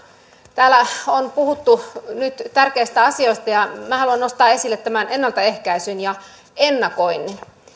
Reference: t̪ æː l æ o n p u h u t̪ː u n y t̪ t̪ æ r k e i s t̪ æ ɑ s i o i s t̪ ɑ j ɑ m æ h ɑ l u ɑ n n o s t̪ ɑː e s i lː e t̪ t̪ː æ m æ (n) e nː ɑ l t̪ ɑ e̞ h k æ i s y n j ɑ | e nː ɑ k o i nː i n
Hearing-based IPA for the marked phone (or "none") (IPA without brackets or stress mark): n